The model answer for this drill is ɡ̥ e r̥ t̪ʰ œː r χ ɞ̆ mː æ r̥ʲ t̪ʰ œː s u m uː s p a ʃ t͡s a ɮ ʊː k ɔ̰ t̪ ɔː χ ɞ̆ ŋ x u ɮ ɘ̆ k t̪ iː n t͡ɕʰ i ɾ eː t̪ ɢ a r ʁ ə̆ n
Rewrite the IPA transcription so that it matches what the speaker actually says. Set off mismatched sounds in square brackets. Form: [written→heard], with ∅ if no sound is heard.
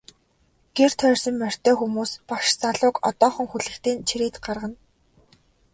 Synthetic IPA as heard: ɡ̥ e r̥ t̪ʰ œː r [χ→s] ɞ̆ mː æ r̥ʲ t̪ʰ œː [s→x] u m uː s p a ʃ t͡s a ɮ ʊː k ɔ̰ t̪ ɔː χ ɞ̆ ŋ x u ɮ ɘ̆ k t̪ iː n t͡ɕʰ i ɾ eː t̪ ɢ a r ʁ ə̆ n